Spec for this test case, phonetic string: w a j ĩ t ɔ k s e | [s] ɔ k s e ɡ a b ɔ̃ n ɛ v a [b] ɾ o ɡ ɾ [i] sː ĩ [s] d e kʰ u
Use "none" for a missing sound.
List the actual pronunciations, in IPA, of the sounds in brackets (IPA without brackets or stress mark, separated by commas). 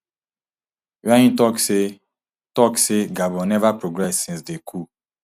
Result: t, p, ɛ, s